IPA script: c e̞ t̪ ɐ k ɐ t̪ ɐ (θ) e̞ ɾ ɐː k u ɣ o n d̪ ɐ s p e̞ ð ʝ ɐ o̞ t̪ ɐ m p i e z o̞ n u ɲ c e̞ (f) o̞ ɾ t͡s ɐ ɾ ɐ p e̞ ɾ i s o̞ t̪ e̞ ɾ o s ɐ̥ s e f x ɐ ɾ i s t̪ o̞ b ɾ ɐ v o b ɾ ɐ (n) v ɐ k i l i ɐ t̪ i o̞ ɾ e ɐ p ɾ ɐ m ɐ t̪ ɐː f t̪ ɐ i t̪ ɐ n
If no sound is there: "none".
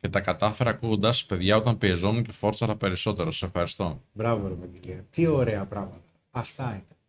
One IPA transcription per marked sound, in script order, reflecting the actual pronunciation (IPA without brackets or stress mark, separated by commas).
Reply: f, f, none